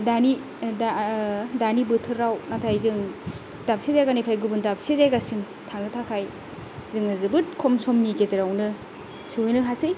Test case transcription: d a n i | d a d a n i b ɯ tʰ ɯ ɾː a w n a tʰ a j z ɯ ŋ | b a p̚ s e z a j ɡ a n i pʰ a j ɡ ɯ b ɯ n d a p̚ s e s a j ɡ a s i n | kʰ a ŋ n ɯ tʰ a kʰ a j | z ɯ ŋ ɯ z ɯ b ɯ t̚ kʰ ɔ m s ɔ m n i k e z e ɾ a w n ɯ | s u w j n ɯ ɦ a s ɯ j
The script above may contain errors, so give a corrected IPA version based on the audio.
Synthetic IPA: d a n i | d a d a n i b ɯ tʰ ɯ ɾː a w n a tʰ a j z ɯ ŋ | d a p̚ s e z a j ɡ a n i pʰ a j ɡ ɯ b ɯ n d a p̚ s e z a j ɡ a s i n | tʰ a ŋ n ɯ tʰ a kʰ a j | z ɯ ŋ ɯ z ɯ b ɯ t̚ kʰ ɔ m s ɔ m n i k e z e ɾ a w n ɯ | s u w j n ɯ ɦ a s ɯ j